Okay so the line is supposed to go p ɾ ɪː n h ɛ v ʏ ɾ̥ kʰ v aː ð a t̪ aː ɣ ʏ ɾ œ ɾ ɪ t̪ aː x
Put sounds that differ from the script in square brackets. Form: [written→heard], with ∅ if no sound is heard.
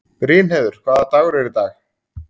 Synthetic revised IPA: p ɾ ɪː n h ɛ [v→ð] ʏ ɾ̥ kʰ v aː ð a t̪ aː ɣ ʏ ɾ [œ→ɛ] ɾ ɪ t̪ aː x